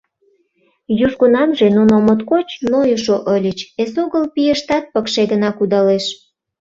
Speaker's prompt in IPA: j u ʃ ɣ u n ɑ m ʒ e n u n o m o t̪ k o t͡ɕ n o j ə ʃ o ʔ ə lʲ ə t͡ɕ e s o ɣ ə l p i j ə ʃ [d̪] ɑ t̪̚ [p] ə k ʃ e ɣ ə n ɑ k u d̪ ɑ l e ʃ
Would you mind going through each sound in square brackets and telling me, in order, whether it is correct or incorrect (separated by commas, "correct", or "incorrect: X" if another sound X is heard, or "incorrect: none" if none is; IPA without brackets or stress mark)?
incorrect: t̪, correct